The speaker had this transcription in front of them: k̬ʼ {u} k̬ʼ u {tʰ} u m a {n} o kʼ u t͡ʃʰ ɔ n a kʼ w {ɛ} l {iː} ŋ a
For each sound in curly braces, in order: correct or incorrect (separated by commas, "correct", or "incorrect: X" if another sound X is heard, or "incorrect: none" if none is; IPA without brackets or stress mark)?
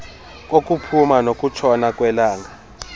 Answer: incorrect: o, incorrect: pʰ, correct, correct, incorrect: aː